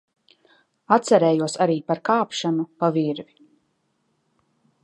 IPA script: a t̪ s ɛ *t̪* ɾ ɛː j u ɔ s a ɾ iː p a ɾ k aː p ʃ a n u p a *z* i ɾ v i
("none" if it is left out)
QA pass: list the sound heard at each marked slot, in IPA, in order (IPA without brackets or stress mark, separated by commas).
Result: none, v